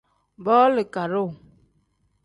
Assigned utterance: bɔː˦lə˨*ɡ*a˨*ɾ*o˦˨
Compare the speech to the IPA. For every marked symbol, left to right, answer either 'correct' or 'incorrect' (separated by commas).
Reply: incorrect, correct